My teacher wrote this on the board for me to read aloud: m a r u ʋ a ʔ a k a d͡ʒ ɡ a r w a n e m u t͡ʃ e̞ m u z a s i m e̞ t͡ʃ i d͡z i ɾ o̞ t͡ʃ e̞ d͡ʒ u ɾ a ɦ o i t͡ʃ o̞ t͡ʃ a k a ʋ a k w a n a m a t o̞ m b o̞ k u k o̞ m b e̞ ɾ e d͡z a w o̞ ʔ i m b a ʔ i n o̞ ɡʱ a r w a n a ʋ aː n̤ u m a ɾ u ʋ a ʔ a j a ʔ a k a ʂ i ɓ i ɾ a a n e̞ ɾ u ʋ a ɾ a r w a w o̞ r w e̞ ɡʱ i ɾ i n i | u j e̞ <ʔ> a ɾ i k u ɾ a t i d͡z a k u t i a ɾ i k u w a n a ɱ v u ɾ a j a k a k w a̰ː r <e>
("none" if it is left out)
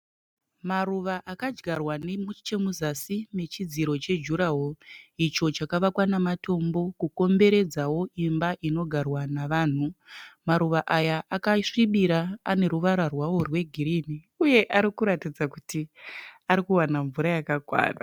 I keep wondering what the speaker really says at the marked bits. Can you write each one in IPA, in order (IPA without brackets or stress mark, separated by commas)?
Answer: ʔ, a